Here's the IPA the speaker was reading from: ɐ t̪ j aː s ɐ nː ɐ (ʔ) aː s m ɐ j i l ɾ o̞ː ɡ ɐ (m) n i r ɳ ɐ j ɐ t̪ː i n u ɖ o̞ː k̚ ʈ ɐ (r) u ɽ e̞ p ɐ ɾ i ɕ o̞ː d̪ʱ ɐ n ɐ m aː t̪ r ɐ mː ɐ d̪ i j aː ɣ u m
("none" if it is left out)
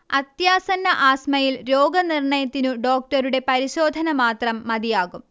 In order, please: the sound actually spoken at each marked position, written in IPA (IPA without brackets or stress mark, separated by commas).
ʔ, none, ɾ